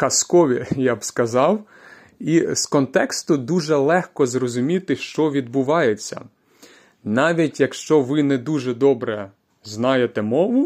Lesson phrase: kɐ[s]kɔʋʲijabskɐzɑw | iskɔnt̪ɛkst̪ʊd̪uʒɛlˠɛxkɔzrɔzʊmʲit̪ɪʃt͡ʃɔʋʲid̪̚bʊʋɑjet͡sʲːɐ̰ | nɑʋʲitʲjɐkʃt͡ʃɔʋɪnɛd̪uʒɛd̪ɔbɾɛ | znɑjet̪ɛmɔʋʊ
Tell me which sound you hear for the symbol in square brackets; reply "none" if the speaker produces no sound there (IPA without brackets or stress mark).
s